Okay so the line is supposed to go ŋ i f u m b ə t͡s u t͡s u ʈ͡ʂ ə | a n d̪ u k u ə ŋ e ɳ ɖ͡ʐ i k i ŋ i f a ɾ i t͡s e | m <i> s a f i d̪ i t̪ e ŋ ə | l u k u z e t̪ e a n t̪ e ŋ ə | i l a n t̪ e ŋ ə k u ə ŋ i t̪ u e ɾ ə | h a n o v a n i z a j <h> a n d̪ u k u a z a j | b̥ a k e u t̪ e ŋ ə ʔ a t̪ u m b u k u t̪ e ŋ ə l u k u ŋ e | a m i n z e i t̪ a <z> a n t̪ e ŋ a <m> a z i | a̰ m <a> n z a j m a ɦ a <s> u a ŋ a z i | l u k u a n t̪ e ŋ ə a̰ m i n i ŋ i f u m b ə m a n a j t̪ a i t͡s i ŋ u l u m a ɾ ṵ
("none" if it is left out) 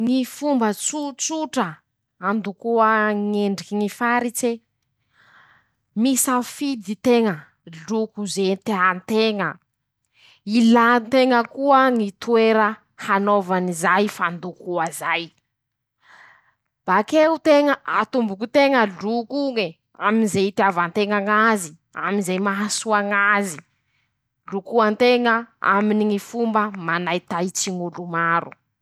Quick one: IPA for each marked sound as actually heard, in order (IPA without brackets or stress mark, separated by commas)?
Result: i, f, v, ŋ, i, s